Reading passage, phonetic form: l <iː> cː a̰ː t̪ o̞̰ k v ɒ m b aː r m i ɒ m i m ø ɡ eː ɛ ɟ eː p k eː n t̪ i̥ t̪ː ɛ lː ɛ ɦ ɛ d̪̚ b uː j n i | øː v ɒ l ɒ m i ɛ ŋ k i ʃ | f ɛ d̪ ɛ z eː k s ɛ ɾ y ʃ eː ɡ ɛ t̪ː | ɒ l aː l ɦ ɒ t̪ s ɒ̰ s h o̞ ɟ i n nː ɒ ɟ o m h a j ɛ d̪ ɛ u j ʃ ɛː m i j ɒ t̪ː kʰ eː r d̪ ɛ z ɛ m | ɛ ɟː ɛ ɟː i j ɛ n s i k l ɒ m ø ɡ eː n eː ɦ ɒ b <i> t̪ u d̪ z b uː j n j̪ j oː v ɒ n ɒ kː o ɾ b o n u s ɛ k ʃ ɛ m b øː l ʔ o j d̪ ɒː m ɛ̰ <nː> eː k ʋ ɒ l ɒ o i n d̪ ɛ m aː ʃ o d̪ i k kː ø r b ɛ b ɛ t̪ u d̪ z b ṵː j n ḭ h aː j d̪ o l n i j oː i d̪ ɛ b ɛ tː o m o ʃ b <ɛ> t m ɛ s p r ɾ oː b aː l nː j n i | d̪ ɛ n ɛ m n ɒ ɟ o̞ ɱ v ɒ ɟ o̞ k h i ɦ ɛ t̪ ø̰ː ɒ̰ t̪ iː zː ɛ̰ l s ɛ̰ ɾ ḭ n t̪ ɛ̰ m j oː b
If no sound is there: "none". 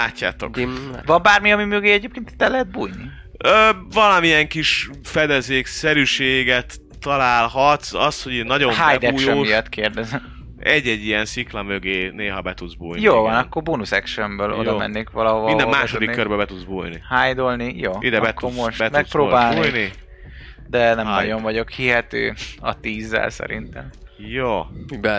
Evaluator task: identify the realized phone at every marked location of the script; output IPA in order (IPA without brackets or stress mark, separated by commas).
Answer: aː, ɛ, nː, ɛ